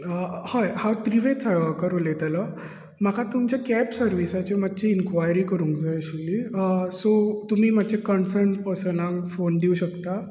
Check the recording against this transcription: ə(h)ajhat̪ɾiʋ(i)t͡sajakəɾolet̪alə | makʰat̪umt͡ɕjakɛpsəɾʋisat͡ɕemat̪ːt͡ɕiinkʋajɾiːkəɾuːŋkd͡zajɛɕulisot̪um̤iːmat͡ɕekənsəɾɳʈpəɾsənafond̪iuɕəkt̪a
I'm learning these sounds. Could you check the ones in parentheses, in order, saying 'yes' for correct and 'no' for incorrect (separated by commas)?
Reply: yes, no